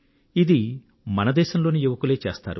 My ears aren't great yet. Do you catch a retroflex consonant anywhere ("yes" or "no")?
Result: no